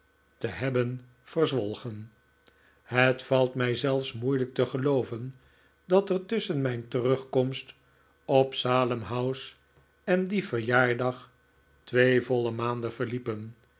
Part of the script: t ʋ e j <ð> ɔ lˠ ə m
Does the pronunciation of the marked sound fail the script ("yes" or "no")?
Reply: yes